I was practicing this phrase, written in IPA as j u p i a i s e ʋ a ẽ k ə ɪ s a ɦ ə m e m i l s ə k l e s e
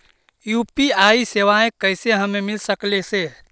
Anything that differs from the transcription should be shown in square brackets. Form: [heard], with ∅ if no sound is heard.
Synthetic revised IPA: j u p i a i s e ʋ a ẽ k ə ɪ s [e] ɦ ə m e m i l s ə k l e s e